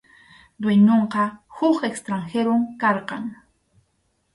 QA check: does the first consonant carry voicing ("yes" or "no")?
yes